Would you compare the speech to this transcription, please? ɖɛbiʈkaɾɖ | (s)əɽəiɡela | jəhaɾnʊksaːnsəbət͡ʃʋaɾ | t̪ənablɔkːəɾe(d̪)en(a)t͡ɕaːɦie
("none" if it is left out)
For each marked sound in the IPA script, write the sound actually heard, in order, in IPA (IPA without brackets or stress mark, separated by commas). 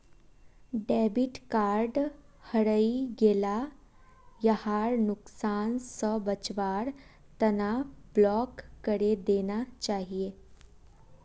h, d̪, a